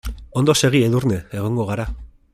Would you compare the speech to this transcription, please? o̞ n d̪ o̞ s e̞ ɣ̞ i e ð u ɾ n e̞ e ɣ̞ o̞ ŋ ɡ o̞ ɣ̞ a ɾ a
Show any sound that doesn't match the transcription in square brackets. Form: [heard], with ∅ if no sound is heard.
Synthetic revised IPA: o̞ n d̪ o̞ s e̞ ɣ̞ i e ð u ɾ n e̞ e ɣ̞ o̞ ŋ ɡ o̞ ɣ̞ a ɾ a